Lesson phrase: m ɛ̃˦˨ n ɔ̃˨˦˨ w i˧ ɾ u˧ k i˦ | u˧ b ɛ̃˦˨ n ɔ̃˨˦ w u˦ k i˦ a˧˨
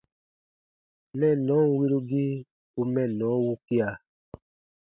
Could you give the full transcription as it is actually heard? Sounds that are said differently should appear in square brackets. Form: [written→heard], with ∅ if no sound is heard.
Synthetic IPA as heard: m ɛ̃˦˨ n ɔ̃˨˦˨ w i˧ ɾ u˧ [k→ɡ] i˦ | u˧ [b→m] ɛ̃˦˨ n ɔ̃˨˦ w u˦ k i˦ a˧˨